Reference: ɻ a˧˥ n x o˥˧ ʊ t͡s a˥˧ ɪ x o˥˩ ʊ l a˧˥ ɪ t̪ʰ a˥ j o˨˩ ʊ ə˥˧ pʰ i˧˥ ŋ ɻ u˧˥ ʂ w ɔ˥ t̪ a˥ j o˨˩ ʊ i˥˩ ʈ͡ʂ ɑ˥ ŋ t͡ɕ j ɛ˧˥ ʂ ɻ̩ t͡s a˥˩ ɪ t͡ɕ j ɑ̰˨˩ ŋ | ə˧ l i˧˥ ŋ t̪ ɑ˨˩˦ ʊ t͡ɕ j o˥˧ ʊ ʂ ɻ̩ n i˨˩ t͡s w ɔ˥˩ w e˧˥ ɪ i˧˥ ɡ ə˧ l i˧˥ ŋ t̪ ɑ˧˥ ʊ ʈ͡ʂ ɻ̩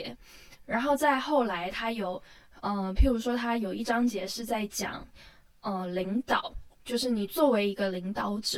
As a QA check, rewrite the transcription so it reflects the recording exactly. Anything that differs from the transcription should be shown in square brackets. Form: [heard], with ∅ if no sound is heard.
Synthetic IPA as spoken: ɻ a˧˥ n x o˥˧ ʊ t͡s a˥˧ ɪ x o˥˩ ʊ l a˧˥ ɪ t̪ʰ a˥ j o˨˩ ʊ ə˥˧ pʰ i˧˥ ŋ ɻ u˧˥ ʂ w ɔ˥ [t̪ʰ] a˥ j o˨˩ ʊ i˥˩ ʈ͡ʂ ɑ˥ ŋ t͡ɕ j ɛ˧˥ ʂ ɻ̩ t͡s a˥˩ ɪ t͡ɕ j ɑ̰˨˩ ŋ | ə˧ l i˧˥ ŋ t̪ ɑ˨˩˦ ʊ t͡ɕ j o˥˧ ʊ ʂ ɻ̩ n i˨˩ t͡s w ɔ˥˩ w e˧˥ ɪ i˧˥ ɡ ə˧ l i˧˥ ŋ t̪ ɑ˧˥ ʊ ʈ͡ʂ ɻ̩